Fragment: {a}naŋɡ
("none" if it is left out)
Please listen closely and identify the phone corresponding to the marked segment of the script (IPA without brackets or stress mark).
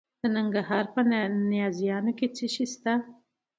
ə